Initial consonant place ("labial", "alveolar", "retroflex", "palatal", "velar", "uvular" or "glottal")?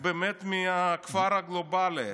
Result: labial